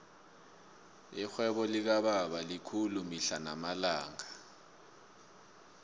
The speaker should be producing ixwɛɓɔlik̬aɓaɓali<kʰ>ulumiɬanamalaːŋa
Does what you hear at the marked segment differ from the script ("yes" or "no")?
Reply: no